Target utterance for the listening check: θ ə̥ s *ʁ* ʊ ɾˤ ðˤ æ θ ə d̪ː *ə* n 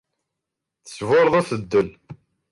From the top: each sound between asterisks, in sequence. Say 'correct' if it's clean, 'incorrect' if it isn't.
incorrect: v, correct

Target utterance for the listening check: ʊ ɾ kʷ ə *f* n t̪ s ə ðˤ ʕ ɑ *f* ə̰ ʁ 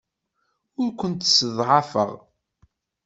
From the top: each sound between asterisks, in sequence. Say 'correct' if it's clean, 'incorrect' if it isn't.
incorrect: none, correct

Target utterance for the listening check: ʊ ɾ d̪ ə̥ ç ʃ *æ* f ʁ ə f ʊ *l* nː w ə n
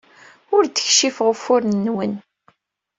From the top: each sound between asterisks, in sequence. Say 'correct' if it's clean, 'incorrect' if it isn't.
incorrect: i, incorrect: ɾ

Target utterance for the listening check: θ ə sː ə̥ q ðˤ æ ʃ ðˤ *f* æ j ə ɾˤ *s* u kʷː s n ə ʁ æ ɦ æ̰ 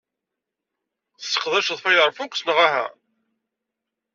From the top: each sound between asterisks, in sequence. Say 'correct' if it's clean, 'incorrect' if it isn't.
correct, incorrect: f

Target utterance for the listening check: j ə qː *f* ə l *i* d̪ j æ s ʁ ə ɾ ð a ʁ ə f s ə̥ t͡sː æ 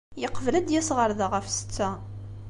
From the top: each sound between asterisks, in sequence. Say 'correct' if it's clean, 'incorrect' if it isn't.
incorrect: v, incorrect: æ

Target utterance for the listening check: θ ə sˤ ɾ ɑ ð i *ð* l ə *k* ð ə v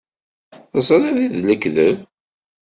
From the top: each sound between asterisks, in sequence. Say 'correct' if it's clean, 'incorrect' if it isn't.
correct, correct

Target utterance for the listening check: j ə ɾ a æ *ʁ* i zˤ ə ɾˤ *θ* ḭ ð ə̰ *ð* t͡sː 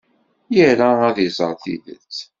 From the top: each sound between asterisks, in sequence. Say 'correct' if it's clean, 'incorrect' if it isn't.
incorrect: ð, correct, incorrect: none

